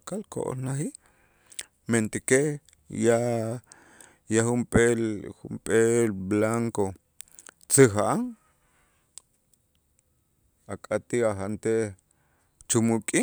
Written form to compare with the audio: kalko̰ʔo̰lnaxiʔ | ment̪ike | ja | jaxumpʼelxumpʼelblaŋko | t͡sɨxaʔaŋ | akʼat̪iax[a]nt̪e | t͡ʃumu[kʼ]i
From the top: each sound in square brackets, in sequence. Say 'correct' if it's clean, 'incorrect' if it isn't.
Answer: correct, correct

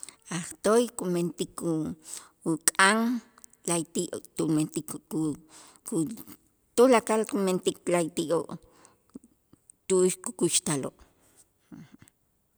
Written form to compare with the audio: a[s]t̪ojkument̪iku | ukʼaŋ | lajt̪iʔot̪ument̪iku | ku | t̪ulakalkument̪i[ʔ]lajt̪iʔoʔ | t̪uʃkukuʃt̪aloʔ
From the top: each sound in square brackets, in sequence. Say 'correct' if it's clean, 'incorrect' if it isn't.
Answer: incorrect, incorrect

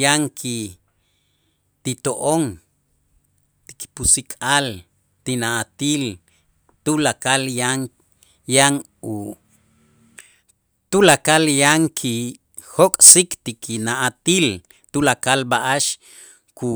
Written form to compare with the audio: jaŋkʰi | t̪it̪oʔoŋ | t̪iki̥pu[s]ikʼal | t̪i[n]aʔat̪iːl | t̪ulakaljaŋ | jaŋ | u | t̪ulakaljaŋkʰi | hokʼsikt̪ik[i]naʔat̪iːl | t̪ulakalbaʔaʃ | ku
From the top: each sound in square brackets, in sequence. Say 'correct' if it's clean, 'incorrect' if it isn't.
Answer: correct, correct, correct

